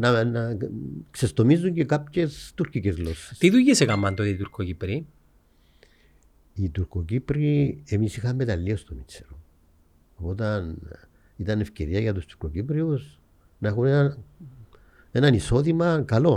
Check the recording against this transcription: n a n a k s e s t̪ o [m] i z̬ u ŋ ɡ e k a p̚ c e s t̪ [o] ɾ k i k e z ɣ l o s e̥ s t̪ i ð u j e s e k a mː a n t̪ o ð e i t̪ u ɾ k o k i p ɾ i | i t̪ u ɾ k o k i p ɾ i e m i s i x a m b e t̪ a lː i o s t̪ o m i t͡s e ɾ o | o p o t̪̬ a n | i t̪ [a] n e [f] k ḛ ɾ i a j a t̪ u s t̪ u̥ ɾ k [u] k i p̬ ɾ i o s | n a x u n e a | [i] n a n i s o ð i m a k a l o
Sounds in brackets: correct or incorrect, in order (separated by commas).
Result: correct, incorrect, correct, correct, incorrect, incorrect